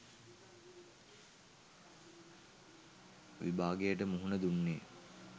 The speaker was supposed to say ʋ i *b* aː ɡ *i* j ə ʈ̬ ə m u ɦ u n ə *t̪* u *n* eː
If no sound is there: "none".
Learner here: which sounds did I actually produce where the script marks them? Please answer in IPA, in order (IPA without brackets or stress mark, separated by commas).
b, e, d̪, nː